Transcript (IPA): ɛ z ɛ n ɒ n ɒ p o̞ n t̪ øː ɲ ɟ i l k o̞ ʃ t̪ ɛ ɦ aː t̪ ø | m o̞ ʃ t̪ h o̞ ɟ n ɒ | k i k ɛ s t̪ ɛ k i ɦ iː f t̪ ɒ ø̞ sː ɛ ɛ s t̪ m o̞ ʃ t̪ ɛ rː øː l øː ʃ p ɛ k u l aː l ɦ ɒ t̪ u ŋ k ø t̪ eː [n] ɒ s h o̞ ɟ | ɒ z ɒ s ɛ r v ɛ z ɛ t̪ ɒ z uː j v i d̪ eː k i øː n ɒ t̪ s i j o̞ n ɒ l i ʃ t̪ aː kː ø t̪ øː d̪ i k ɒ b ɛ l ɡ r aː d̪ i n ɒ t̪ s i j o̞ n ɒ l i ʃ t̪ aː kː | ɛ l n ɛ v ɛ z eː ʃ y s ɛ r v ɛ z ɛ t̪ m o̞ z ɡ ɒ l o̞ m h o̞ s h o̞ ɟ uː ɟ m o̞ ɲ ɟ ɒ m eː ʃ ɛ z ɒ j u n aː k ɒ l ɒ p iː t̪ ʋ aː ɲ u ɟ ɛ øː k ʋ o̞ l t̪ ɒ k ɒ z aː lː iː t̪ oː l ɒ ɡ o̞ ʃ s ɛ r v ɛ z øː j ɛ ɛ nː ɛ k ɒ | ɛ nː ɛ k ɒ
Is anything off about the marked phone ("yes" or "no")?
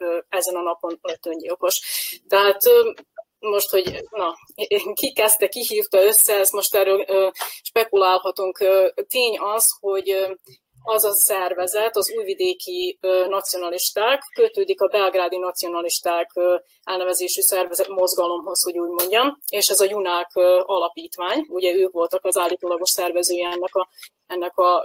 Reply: yes